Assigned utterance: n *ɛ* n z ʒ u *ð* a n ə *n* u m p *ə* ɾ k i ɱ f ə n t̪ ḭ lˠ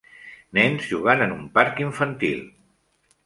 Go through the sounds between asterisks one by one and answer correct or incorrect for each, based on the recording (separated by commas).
correct, incorrect, correct, incorrect